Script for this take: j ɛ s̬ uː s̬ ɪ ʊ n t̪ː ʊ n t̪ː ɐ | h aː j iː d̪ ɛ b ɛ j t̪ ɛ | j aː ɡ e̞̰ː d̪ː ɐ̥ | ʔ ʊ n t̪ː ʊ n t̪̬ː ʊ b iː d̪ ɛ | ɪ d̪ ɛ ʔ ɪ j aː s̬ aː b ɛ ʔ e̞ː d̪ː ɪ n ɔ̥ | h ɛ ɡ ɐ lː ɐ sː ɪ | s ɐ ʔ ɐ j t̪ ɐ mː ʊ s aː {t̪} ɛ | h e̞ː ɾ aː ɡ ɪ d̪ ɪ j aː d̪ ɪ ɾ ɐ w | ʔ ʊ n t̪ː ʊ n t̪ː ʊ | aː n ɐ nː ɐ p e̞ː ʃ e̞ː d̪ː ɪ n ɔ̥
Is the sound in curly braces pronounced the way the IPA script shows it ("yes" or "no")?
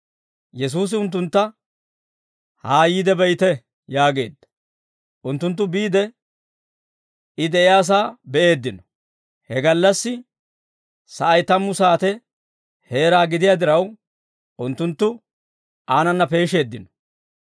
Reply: yes